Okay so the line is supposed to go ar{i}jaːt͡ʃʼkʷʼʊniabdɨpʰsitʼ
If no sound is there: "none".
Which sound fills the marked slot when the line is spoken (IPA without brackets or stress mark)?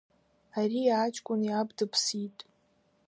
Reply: i